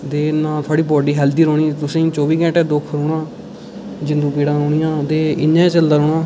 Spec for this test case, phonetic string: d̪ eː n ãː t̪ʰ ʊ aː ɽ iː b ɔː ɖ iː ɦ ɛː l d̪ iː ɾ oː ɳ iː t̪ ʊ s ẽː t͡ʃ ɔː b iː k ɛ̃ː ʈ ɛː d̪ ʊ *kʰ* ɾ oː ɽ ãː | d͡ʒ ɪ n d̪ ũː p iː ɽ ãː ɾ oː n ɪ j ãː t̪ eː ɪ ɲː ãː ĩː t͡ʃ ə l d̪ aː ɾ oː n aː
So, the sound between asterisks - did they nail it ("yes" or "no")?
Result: yes